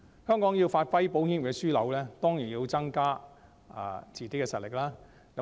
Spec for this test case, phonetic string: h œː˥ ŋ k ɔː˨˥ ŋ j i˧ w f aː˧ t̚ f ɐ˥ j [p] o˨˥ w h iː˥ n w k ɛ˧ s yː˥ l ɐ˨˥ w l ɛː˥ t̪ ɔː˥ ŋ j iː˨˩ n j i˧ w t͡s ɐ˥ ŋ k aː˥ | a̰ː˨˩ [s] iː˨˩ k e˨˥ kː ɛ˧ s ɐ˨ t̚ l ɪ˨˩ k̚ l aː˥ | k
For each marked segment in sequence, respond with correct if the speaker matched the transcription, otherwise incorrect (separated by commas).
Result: correct, incorrect